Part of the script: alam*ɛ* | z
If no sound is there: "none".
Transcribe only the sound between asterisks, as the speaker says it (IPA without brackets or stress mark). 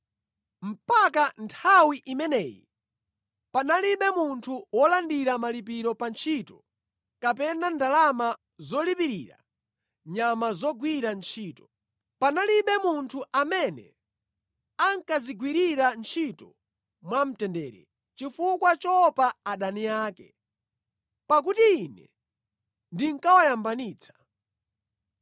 a